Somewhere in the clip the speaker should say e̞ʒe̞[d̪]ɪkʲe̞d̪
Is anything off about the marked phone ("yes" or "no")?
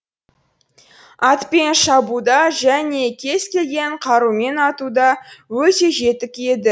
yes